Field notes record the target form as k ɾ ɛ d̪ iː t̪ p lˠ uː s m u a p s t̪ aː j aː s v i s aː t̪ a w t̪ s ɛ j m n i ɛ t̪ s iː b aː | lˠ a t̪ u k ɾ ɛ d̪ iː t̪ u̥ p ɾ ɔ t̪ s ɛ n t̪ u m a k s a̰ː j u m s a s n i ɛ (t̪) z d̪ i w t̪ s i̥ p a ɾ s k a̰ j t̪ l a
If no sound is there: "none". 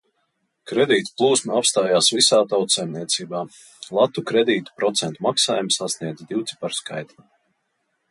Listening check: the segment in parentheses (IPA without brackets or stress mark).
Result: d̪